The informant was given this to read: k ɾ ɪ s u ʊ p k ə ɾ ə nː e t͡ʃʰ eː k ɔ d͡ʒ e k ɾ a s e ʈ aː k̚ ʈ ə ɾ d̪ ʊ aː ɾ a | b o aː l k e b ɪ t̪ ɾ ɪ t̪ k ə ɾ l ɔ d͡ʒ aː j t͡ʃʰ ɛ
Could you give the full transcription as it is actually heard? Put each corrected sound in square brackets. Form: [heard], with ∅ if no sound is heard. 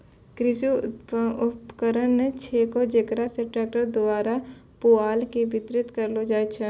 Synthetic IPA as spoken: k ɾ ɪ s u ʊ p k ə ɾ ə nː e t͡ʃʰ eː k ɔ d͡ʒ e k ɾ a s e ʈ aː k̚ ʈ ə ɾ d̪ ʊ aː ɾ a | [p] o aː l k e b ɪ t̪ ɾ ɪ t̪ k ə ɾ l [o] d͡ʒ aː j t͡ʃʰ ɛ